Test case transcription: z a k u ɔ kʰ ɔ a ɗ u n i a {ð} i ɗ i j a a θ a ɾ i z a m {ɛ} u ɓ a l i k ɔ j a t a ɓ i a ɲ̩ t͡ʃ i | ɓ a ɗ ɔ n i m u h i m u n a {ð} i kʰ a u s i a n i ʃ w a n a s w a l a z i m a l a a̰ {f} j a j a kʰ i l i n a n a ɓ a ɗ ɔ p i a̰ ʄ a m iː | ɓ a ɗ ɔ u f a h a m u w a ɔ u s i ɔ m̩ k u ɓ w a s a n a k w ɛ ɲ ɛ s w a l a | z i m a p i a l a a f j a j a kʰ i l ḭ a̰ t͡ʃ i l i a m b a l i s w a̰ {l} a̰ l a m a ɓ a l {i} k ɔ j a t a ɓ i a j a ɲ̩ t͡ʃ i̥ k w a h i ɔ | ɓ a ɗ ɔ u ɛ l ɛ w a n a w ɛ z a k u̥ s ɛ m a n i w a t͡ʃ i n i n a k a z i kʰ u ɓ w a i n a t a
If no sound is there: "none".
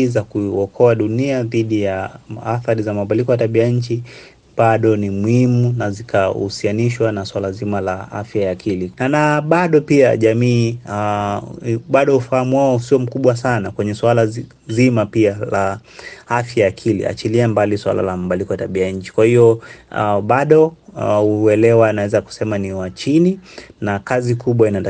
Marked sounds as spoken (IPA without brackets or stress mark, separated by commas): ð, a, z, f, l, i